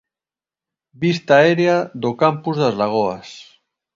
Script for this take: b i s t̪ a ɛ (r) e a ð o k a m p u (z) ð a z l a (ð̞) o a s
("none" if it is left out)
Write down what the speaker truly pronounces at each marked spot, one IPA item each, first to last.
ɾ, z, ɣ̞

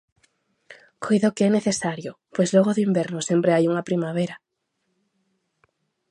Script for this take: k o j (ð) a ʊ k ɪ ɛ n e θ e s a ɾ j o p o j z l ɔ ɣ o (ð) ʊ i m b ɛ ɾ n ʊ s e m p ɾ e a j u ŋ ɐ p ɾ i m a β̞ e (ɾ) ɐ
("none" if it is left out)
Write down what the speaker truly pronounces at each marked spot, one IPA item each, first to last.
ð, ð, ɾ

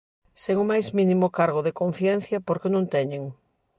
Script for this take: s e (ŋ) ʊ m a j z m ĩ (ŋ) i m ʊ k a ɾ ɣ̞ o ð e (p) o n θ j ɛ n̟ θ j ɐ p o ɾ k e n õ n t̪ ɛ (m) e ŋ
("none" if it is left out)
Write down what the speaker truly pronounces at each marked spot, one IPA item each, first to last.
ŋ, n, k, ɲ

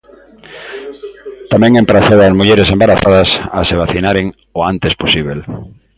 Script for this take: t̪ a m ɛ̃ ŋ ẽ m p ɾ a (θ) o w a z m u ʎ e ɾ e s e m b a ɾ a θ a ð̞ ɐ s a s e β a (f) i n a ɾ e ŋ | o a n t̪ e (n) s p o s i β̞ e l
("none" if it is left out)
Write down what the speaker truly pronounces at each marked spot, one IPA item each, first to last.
θ, θ, none

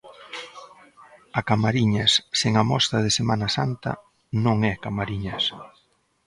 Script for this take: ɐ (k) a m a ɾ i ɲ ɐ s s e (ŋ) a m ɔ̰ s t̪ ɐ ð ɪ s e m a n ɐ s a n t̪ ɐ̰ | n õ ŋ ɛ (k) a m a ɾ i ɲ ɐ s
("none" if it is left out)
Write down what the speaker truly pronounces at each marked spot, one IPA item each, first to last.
k, ŋ, k

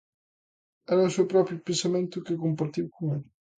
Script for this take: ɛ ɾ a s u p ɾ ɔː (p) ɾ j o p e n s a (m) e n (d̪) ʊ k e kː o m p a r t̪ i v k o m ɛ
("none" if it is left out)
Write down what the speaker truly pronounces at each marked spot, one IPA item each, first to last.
p, m, t̪

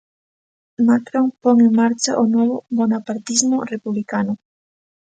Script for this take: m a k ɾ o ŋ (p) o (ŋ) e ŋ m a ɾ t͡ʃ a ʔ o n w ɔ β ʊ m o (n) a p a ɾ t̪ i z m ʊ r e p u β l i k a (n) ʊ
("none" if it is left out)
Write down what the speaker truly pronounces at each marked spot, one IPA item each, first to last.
p, ŋ, n, n

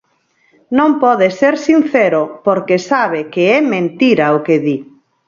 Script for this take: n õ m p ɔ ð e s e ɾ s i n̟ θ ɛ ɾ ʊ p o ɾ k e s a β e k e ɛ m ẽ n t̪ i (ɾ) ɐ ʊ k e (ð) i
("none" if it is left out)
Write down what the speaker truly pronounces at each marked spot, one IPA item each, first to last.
ɾ, ð

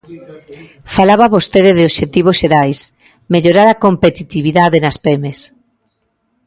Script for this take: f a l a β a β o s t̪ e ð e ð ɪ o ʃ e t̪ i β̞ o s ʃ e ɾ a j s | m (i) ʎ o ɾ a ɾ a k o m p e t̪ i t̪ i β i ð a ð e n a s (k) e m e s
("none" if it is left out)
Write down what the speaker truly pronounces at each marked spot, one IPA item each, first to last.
e, p

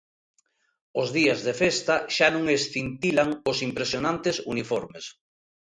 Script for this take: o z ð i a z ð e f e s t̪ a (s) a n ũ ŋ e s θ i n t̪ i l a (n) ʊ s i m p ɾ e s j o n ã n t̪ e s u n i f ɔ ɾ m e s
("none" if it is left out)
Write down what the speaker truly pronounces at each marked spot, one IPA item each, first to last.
ʃ, ŋ

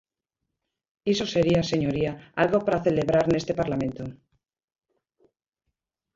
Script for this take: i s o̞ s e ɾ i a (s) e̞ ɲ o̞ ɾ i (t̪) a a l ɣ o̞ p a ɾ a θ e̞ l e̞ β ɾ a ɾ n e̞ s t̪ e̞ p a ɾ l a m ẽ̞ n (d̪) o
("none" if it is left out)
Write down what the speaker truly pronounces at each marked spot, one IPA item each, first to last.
s, none, t̪

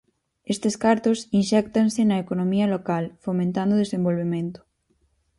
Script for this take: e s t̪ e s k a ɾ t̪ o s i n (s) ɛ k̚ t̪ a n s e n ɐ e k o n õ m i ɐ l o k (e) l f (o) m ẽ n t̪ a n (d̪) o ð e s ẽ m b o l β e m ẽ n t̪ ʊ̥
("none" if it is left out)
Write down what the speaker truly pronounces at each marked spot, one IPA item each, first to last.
ʃ, a, o, d̪

